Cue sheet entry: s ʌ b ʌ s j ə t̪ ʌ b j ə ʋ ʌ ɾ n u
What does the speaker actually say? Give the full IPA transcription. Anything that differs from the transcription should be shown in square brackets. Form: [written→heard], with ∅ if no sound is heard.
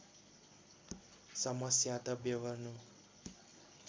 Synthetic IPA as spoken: s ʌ [b→m] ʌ s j [ə→a] t̪ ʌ b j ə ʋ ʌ ɾ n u